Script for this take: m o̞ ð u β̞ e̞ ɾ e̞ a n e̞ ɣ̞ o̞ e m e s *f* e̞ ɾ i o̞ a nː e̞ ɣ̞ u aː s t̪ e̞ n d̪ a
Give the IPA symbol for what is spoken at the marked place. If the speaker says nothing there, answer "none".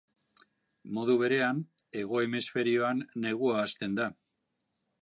f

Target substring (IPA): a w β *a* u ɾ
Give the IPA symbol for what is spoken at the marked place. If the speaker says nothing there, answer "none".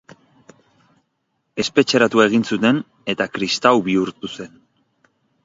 i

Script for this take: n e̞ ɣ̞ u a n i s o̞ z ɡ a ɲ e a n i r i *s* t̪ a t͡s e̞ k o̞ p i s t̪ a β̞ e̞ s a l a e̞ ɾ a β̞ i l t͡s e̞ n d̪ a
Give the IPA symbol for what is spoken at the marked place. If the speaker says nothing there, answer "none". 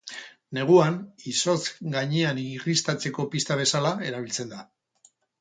s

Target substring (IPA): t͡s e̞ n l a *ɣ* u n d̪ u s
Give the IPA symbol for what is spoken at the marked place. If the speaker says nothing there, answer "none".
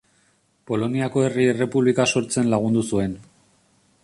ɣ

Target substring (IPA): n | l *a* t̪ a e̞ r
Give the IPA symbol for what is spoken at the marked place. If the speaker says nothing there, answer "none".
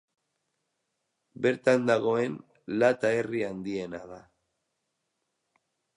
a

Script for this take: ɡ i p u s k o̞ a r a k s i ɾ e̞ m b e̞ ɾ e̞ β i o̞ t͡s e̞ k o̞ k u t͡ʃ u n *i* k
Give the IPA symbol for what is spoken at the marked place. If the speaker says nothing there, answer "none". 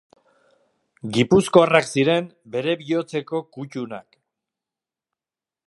a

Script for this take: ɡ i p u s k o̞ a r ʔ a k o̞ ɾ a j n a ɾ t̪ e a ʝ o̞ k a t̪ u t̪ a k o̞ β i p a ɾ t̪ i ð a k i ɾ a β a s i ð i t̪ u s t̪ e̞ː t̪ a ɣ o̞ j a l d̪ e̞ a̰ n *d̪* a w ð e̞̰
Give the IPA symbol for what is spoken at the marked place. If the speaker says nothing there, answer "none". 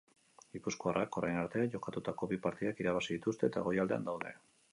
d̪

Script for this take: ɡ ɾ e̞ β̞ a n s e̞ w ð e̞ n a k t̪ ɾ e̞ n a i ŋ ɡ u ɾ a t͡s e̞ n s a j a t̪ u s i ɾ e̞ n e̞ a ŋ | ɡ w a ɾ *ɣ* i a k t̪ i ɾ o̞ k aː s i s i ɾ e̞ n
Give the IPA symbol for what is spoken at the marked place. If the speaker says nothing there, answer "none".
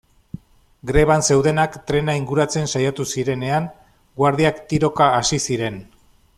ð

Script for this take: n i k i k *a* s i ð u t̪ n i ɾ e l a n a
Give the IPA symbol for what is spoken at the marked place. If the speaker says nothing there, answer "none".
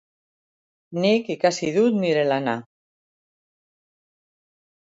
a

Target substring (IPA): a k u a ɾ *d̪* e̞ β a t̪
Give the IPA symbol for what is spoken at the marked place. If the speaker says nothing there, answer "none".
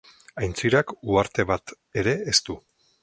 t̪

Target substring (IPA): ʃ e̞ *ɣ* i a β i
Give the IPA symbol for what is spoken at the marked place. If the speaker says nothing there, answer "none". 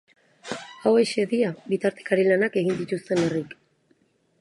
ð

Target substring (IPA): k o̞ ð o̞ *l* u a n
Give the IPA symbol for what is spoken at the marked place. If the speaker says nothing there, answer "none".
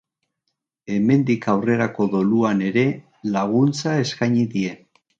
l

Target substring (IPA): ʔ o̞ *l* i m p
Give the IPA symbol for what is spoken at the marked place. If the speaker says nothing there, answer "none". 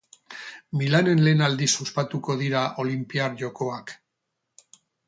l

